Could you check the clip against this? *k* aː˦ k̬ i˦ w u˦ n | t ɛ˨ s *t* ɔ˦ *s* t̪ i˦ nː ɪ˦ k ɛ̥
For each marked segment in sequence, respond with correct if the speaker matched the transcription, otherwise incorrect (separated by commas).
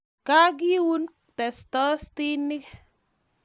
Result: correct, correct, correct